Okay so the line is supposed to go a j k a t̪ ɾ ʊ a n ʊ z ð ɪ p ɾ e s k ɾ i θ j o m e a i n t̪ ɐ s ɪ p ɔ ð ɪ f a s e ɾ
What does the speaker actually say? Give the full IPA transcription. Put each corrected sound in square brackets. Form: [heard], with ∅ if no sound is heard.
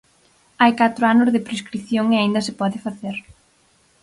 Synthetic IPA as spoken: a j k a t̪ ɾ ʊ a n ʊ z ð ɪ p ɾ e s k ɾ i θ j o [ŋ] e a i n [d̪] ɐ s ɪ p ɔ ð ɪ f a [θ] e ɾ